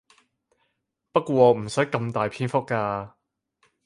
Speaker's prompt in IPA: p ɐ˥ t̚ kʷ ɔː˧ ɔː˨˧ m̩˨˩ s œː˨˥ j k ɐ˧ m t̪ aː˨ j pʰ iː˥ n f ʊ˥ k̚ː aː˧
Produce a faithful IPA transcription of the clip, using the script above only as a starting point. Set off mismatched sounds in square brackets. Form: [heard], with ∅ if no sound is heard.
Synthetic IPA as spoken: p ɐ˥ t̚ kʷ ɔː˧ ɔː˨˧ m̩˨˩ s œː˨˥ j k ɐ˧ m t̪ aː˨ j pʰ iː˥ n f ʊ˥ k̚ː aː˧